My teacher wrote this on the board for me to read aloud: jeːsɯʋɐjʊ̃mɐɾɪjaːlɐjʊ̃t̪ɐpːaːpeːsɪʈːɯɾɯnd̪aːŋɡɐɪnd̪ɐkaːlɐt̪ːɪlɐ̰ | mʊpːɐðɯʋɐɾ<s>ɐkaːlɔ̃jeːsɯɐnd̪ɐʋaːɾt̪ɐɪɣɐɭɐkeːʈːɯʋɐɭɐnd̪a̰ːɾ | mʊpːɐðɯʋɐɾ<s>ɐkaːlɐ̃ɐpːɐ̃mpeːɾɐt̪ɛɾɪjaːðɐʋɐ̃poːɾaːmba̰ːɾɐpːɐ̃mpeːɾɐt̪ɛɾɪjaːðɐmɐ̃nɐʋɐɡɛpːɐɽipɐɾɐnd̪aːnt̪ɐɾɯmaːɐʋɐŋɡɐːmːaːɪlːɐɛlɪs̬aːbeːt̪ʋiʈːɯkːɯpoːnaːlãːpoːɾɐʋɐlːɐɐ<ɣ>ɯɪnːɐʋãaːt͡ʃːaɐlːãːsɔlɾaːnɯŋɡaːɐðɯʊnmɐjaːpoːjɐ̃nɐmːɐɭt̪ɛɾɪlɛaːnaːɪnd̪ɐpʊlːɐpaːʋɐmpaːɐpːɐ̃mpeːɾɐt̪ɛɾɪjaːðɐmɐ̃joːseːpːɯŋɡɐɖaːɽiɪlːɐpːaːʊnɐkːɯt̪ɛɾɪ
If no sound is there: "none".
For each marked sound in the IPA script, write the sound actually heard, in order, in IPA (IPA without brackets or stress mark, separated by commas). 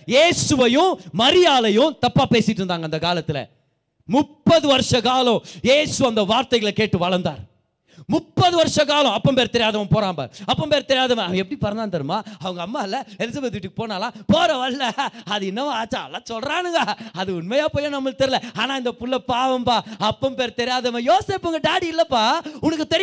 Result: ʂ, ʂ, ð